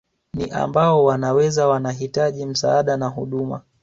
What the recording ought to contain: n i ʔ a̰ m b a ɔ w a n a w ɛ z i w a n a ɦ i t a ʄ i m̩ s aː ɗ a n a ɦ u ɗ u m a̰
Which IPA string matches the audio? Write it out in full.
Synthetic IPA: n i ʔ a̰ m b a ɔ w a n a w ɛ z a w a n a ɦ i t a ʄ i m̩ s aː ɗ a n a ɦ u ɗ u m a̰